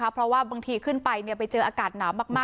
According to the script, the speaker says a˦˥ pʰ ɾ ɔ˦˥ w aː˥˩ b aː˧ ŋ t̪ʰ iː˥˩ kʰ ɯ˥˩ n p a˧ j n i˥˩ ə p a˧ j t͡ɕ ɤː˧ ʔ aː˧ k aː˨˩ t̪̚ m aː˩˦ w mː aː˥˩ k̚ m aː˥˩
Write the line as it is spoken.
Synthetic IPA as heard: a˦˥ pʰ ɾ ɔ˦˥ w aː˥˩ b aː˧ ŋ t̪ʰ iː˧ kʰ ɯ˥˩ n p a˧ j n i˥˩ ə p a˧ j t͡ɕ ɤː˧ ʔ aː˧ k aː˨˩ t̪̚ n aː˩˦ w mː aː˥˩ k̚ m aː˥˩